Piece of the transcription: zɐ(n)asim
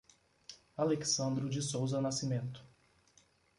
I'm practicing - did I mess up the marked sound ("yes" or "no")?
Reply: no